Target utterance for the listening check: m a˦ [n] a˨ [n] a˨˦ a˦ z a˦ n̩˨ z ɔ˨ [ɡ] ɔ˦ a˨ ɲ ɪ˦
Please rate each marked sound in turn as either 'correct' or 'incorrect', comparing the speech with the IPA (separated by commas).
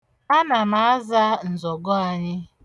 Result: correct, incorrect, correct